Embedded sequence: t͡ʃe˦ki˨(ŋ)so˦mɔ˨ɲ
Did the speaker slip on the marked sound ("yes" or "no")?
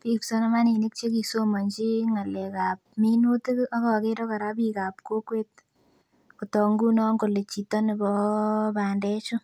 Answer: yes